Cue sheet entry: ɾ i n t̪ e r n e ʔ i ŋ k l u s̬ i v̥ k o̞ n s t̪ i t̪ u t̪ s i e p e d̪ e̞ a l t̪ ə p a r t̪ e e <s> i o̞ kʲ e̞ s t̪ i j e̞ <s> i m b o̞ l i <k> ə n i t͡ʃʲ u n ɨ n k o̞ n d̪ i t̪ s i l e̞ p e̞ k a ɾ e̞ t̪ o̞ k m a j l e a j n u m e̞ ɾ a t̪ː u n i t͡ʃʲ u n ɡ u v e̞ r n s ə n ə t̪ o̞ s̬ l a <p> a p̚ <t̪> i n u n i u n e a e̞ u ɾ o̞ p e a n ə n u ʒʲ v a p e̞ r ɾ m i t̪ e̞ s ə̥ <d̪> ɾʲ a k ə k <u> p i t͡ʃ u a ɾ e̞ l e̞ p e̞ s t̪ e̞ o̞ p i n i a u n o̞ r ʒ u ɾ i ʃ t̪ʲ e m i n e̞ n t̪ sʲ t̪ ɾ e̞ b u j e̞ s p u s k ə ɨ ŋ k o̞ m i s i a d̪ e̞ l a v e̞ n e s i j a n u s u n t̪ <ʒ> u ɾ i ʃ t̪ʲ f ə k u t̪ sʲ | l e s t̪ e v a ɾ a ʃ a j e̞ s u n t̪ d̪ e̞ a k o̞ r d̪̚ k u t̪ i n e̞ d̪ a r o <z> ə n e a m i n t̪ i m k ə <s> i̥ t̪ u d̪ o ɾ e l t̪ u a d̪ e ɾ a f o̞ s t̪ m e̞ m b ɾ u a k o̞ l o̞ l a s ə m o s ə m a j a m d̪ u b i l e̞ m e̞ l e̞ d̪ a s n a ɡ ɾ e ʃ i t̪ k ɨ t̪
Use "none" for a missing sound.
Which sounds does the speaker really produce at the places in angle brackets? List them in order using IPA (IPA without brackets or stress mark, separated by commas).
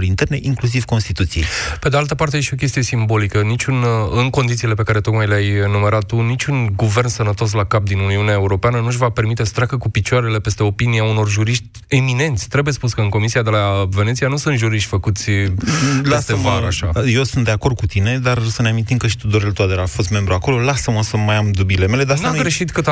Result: ʃ, s, k, k, d̪, t̪, u, ʒ, s, ʃ